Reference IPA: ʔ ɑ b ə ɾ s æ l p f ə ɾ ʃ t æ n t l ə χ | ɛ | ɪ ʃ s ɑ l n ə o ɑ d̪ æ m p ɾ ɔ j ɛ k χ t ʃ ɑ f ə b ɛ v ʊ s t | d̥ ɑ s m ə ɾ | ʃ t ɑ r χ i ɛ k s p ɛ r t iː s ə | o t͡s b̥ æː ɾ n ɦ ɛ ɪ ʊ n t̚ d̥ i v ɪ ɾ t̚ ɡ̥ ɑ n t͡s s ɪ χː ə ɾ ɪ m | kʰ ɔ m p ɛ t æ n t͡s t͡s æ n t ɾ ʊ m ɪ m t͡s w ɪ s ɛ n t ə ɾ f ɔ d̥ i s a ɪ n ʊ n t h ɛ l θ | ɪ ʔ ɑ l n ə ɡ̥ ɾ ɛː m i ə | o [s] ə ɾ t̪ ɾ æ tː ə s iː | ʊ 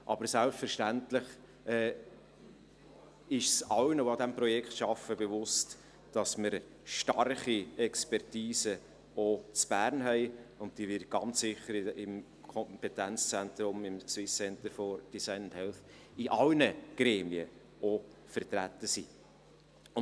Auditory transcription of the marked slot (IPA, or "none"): f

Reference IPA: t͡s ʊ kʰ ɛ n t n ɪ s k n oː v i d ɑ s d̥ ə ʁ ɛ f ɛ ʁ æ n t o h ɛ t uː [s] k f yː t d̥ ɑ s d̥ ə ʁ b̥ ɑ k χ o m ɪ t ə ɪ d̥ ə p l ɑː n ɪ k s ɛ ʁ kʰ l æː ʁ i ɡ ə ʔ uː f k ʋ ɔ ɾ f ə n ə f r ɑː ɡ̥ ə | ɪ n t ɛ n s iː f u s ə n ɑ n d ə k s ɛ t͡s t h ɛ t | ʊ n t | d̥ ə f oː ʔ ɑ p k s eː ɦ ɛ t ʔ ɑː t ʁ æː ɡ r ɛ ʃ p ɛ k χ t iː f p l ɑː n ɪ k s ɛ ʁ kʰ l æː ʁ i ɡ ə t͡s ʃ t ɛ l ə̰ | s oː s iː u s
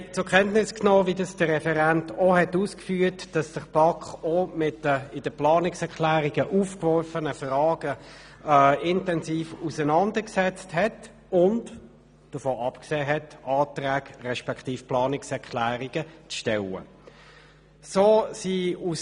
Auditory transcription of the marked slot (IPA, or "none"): s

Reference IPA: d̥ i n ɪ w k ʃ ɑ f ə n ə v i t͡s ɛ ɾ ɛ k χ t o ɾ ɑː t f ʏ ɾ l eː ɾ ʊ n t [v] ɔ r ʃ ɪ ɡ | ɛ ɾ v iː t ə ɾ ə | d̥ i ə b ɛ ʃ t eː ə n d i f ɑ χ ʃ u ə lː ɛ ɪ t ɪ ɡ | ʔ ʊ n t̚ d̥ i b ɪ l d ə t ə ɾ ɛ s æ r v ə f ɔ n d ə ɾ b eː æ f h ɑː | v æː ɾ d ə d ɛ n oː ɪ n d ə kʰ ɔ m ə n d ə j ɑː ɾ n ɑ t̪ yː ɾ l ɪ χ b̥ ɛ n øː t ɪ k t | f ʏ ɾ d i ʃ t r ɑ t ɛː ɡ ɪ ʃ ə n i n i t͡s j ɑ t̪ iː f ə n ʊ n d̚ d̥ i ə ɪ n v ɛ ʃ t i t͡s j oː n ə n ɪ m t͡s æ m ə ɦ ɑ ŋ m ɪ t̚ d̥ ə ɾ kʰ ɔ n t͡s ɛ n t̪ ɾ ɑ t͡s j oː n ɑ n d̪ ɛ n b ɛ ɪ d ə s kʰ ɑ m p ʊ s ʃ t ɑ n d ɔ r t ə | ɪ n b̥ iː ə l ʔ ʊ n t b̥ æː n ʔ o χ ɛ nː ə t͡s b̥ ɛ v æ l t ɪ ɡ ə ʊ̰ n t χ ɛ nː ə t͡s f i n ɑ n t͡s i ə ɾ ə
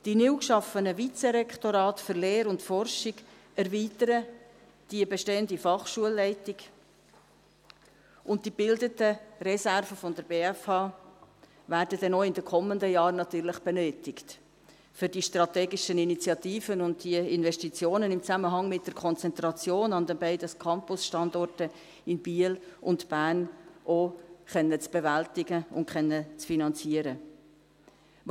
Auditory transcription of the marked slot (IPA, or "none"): f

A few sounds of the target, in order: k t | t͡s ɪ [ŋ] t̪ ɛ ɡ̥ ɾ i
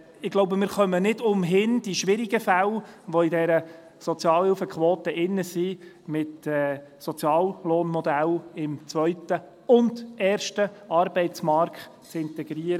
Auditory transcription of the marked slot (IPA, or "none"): n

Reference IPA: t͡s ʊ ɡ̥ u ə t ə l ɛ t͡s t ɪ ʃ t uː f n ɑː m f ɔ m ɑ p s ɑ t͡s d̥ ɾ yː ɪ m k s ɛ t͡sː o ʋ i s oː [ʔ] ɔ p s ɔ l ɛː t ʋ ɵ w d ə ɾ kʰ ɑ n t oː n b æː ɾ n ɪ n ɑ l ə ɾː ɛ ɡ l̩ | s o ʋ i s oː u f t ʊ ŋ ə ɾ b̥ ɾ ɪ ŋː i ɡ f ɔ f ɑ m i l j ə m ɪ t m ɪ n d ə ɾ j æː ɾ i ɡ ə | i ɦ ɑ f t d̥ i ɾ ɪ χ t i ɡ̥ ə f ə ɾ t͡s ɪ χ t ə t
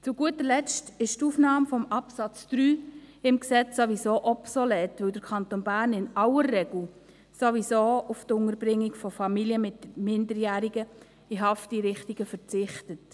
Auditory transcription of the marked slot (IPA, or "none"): ʔ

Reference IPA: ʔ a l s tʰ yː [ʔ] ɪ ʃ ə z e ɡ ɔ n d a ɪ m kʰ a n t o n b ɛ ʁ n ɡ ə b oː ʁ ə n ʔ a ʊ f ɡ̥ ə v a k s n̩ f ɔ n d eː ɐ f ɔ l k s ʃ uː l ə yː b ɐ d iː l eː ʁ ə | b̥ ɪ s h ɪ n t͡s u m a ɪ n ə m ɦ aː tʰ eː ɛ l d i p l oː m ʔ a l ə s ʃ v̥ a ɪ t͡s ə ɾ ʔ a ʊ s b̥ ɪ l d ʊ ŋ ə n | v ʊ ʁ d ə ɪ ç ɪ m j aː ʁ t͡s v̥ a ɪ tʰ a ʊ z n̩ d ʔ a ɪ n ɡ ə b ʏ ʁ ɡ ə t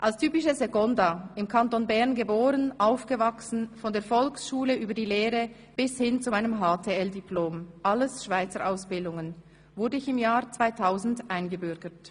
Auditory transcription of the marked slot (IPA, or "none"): p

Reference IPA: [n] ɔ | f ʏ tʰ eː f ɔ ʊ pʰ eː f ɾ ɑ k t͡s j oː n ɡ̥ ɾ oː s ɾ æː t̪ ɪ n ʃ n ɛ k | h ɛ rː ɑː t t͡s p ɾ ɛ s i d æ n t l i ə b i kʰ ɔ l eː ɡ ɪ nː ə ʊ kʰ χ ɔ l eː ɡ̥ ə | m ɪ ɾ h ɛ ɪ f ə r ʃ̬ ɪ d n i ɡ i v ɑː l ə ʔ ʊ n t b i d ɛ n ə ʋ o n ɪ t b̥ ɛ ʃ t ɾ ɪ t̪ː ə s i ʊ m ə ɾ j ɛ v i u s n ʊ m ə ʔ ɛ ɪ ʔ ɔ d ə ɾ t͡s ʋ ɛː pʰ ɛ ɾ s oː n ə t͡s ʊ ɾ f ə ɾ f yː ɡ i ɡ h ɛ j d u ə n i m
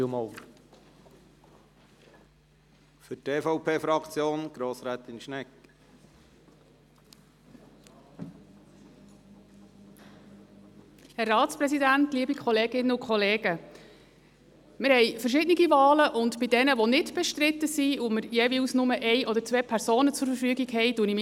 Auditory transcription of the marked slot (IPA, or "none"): m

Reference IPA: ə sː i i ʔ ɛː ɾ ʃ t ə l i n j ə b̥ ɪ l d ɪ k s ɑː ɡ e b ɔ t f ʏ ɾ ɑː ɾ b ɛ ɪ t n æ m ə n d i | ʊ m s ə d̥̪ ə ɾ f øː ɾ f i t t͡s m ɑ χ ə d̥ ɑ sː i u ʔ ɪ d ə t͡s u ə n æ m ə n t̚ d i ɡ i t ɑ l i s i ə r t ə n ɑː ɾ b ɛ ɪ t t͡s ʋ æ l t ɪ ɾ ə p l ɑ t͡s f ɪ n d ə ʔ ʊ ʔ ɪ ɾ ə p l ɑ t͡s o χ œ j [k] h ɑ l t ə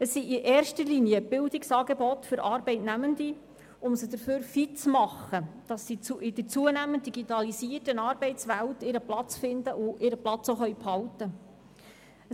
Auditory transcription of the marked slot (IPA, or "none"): p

